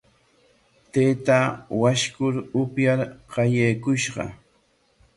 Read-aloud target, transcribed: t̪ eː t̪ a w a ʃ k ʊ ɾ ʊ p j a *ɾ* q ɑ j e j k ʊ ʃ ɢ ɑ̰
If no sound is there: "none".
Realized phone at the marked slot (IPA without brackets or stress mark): ɾ